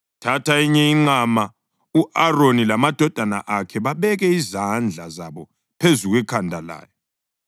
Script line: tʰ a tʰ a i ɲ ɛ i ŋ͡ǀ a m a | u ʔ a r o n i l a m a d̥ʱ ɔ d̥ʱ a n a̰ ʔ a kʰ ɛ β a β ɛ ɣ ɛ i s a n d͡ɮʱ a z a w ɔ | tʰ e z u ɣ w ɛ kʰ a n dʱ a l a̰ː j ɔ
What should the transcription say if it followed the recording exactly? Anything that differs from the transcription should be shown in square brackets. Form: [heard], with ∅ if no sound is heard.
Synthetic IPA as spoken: tʰ a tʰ a i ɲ ɛ i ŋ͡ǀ a m a | u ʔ a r o n i l a m a d̥ʱ ɔ d̥ʱ a n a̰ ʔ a kʰ ɛ β a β ɛ ɣ ɛ i [z] a n d͡ɮʱ a z a [β] ɔ | [pʰ] e z u ɣ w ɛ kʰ a n dʱ a l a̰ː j ɔ